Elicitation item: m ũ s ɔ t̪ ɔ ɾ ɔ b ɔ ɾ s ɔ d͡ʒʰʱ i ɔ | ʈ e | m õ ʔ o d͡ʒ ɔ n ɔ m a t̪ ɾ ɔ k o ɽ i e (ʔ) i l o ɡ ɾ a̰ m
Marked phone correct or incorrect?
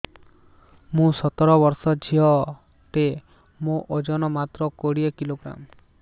incorrect